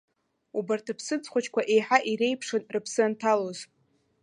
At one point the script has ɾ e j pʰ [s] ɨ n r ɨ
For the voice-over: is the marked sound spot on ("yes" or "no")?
no